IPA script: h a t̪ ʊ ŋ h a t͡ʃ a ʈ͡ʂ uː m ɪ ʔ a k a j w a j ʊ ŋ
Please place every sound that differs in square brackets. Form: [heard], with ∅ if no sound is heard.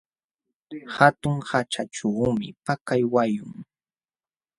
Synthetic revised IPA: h a t̪ ʊ ŋ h a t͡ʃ a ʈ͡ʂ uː m ɪ [p] a k a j w a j ʊ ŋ

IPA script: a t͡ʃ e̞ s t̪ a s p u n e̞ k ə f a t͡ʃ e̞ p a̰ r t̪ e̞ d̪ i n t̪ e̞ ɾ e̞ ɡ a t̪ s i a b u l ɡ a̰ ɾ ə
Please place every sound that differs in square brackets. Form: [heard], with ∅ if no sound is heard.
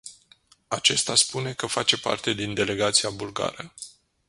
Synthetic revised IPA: a t͡ʃ e̞ s t̪ a s p u n e̞ k ə f a t͡ʃ e̞ p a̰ r t̪ e̞ d̪ i n [d̪] e̞ [l] e̞ ɡ a t̪ s i a b u l ɡ a̰ ɾ ə

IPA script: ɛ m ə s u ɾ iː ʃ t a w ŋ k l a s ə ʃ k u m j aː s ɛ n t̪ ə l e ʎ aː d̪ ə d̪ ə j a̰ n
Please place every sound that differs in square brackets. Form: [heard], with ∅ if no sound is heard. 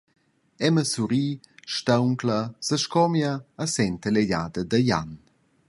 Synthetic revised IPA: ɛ m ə s u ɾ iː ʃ t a w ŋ k l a s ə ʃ k [ɔ] m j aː s ɛ n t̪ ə l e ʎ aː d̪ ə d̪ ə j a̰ n

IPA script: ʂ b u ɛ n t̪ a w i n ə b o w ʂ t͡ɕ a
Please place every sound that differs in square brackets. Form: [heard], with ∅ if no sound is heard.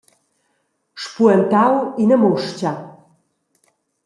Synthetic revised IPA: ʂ [p] u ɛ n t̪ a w i n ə [m] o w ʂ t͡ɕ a

